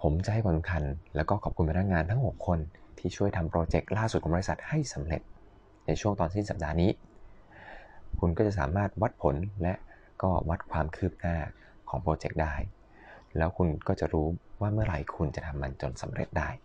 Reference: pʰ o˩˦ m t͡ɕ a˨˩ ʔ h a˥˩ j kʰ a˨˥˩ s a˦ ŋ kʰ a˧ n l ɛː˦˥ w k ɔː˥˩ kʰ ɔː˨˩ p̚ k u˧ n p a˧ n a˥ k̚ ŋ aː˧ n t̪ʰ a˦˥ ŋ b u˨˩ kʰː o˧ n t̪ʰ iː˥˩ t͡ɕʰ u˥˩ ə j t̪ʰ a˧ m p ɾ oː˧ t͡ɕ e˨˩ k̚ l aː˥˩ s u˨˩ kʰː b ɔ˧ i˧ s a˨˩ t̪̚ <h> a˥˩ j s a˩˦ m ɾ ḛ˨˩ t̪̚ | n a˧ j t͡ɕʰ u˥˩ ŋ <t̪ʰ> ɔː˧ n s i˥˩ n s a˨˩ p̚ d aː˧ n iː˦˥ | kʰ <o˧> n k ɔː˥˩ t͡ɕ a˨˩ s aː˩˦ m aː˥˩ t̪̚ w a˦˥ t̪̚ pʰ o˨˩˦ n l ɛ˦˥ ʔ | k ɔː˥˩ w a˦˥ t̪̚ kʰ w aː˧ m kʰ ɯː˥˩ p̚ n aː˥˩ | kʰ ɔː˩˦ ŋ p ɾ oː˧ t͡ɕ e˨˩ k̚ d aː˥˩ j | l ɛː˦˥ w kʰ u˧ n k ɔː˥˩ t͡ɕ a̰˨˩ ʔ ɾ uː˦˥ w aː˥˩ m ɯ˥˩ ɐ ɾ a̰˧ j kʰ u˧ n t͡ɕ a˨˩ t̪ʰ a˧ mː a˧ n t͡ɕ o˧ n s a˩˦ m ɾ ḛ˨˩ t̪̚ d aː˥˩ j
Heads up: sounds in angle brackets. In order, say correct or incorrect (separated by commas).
correct, incorrect, incorrect